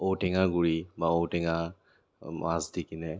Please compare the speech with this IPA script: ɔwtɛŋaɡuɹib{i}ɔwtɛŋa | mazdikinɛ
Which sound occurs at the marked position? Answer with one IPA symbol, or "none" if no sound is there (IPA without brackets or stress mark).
a